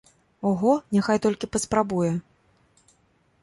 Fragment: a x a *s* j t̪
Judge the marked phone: incorrect: none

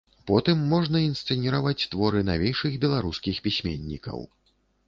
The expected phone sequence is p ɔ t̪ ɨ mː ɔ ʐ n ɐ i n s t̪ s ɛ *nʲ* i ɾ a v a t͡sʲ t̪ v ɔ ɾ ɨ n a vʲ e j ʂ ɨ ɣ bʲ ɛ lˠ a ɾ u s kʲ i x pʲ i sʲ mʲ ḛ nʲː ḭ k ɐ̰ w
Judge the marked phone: correct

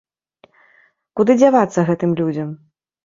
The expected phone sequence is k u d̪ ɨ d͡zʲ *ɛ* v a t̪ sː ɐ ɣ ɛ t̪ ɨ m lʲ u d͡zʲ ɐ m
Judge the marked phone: incorrect: a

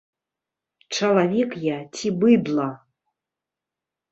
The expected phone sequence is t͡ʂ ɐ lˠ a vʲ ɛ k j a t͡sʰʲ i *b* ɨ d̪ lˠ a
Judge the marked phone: correct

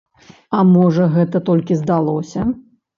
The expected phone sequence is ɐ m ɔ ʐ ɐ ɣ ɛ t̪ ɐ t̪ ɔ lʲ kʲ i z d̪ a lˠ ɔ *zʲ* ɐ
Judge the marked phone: incorrect: sʲ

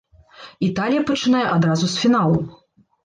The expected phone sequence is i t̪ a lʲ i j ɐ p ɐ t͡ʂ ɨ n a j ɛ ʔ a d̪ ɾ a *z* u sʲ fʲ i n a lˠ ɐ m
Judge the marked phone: correct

